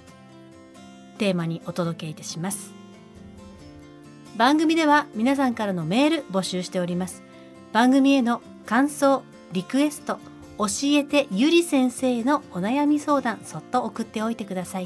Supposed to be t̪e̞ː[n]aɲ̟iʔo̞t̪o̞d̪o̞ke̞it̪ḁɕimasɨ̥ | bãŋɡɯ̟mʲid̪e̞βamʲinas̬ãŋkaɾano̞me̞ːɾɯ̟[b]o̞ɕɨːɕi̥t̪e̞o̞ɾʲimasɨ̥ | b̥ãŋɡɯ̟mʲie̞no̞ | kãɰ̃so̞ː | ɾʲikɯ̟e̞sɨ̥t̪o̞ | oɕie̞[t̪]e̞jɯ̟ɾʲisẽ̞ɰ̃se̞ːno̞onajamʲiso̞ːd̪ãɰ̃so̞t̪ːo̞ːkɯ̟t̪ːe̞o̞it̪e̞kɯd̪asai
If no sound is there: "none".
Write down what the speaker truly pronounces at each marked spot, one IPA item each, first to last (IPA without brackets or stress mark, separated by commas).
m, b, t̪